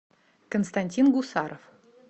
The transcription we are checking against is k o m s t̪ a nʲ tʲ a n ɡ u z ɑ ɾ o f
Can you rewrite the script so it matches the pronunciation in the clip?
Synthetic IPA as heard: k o n s t̪ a nʲ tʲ i n ɡ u s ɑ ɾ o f